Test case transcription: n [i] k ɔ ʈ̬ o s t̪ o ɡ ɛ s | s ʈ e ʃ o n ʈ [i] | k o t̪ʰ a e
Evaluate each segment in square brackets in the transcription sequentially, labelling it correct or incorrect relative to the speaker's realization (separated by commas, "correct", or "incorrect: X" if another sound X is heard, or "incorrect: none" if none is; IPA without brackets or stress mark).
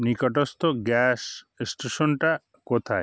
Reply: correct, incorrect: a